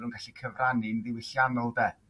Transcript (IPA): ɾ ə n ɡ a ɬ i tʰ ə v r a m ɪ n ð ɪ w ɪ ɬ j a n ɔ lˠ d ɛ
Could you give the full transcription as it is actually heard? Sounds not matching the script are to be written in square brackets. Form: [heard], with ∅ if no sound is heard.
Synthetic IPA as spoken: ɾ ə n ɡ a ɬ i [kʰ] ə v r a [n] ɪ n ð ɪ w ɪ ɬ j a n ɔ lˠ d ɛ